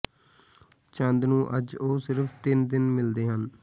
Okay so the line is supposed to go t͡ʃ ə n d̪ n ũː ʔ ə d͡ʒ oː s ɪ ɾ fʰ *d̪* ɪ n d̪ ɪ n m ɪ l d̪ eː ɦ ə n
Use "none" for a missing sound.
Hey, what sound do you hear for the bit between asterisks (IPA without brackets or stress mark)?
t̪